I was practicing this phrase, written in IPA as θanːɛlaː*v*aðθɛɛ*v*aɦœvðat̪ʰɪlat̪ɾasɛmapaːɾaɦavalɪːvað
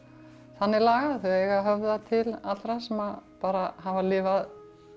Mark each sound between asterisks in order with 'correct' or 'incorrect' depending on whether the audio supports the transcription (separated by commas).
incorrect, incorrect